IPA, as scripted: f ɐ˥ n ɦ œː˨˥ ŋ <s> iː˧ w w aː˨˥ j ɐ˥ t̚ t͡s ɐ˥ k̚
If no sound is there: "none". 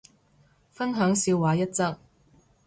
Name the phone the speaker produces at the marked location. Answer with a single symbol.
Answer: s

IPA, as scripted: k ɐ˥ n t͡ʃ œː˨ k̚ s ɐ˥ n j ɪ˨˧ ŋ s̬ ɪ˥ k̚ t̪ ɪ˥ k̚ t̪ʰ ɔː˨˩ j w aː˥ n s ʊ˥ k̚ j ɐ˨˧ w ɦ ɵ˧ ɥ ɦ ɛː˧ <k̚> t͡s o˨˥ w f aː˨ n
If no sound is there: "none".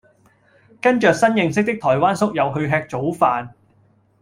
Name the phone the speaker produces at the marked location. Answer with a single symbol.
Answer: k̚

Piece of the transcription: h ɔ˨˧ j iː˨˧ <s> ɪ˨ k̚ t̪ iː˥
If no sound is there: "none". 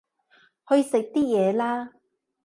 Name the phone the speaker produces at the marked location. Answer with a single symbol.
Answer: s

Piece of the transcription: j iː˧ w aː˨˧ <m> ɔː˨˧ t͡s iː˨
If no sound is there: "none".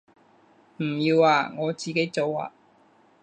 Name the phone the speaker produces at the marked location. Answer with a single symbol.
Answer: ŋ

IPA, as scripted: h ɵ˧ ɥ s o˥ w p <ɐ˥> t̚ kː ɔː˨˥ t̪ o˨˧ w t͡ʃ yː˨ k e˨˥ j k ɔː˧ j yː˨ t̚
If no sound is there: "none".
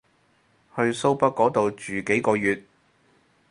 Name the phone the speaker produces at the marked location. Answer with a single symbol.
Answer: ɐ˥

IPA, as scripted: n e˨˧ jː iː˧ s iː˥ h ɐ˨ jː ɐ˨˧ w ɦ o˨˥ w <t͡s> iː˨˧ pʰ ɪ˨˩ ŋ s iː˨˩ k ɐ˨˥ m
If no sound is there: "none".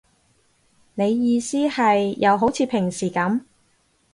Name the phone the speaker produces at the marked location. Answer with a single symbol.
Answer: t͡sʰ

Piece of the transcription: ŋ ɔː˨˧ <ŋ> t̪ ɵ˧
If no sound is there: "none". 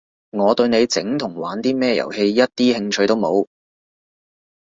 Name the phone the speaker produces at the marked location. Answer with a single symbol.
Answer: none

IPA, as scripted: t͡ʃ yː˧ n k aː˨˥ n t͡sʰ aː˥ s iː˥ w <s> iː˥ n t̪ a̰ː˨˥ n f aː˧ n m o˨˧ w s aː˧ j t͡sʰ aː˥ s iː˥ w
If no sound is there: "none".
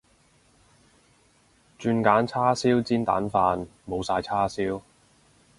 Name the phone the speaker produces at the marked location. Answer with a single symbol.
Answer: t͡s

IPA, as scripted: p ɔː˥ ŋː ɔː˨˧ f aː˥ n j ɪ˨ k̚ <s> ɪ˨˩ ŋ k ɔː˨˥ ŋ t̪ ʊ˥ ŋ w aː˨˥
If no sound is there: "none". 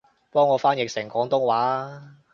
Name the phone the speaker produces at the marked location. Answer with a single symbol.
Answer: s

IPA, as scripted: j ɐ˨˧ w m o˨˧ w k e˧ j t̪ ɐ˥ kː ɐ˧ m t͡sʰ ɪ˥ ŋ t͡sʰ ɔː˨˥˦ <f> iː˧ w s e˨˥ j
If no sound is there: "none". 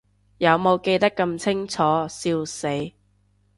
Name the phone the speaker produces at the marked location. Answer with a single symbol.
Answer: s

